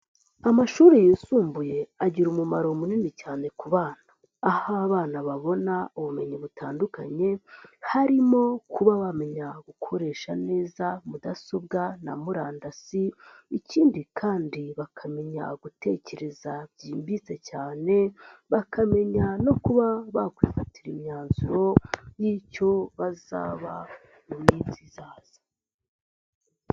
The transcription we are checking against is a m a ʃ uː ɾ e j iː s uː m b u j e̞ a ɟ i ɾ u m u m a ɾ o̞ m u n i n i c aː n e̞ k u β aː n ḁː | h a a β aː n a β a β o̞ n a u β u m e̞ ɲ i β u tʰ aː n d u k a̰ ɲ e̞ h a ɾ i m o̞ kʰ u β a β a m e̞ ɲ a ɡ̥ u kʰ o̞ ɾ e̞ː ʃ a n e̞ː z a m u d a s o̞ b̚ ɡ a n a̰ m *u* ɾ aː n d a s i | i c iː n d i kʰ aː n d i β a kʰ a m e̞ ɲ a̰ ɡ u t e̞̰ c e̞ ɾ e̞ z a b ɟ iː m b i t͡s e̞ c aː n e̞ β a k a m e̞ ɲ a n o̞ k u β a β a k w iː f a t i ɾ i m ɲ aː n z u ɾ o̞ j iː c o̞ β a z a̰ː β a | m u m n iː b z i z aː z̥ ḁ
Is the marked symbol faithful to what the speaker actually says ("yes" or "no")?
yes